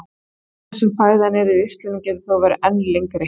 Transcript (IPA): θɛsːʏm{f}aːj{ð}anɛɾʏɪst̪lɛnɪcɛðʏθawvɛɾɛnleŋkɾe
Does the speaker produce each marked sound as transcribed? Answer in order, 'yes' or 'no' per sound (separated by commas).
yes, yes